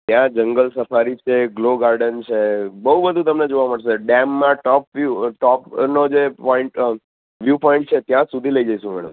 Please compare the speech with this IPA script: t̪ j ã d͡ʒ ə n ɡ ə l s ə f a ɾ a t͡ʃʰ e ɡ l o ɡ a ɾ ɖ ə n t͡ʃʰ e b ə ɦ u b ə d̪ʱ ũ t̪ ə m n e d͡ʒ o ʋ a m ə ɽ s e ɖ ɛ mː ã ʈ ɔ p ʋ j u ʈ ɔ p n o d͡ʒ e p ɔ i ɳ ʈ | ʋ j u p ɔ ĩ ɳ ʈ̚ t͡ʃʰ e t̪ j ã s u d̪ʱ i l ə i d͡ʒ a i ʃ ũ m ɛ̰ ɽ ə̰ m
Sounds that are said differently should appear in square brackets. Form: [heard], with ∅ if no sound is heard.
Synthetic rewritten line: t̪ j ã d͡ʒ ə [ŋ] ɡ ə l s ə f a ɾ [i] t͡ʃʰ e ɡ l o ɡ a ɾ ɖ ə n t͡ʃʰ e b ə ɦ u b ə d̪ʱ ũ t̪ ə m n e d͡ʒ o ʋ a m ə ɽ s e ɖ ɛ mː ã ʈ ɔ p ʋ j u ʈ ɔ p n o d͡ʒ e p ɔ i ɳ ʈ | ʋ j u p ɔ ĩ ɳ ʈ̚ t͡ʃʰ e t̪ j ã s u d̪ʱ i l ə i d͡ʒ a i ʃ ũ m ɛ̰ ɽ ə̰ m

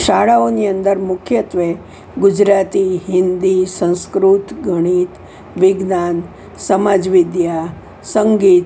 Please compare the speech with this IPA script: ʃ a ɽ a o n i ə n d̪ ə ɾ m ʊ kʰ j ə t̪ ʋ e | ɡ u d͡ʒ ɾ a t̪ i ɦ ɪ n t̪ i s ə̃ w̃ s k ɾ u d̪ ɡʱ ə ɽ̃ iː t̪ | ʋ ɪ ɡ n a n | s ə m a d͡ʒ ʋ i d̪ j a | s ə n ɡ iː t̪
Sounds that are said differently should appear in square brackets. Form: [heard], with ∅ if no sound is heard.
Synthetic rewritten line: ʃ a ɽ a o n i ə n d̪ ə ɾ m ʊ kʰ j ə t̪ ʋ e | ɡ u d͡ʒ ɾ a t̪ i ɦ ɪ n [d̪] i s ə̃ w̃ s k ɾ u [t̪] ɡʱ ə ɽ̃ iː t̪ | ʋ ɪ ɡ n a n | s ə m a d͡ʒ ʋ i d̪ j a | s ə [ŋ] ɡ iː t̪

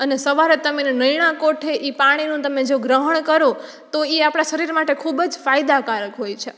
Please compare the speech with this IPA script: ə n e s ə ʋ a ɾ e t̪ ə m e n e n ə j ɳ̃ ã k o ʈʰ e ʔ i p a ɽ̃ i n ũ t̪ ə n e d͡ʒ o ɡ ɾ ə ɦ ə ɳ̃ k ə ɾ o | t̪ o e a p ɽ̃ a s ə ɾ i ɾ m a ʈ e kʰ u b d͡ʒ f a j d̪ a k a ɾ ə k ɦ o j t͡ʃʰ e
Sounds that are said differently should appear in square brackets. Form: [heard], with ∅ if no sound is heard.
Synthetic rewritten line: ə n e s ə ʋ a ɾ e t̪ ə m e n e n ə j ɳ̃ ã k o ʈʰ e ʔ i p a ɽ̃ i n ũ t̪ ə [m] e d͡ʒ o ɡ ɾ ə ɦ ə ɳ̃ k ə ɾ o | t̪ o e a p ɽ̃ a [ʃ] ə ɾ i ɾ m a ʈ e kʰ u b d͡ʒ f a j d̪ a k a ɾ ə k ɦ o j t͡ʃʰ e

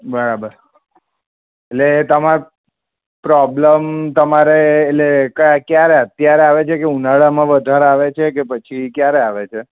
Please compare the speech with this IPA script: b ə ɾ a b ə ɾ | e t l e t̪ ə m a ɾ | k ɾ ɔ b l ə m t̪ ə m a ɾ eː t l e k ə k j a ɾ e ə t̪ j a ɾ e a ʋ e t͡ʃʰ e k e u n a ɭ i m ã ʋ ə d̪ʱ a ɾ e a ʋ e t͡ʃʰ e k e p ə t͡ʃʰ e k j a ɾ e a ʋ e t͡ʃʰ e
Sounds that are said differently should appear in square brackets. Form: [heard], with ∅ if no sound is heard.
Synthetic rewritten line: b ə ɾ a b ə ɾ | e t l e t̪ ə m a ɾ | [p] ɾ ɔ b l ə m t̪ ə m a ɾ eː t l e k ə k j a ɾ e ə t̪ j a ɾ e a ʋ e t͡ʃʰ e k e u n a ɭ [a] m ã ʋ ə d̪ʱ a ɾ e a ʋ e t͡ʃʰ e k e p ə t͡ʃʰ [i] k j a ɾ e a ʋ e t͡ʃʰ e

